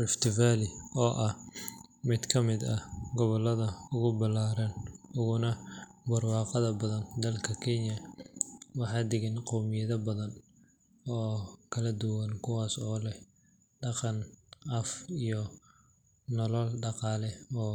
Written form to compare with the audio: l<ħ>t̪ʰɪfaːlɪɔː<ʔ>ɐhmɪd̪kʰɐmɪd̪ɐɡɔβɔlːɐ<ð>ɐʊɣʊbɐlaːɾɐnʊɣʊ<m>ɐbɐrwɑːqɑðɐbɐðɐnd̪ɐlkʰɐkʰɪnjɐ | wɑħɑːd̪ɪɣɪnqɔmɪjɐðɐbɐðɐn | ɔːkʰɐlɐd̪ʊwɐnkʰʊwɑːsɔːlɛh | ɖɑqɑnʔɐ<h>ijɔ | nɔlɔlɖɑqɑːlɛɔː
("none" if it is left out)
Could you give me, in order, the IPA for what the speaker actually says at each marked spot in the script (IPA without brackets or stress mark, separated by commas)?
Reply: f, ʔ, ð, n, f